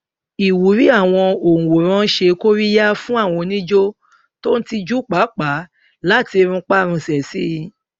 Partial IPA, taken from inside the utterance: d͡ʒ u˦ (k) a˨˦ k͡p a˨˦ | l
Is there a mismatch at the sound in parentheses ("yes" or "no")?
yes